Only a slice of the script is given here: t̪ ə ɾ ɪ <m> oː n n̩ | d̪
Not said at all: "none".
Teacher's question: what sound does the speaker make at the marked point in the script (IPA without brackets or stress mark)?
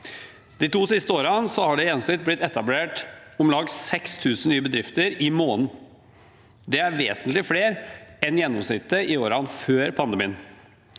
m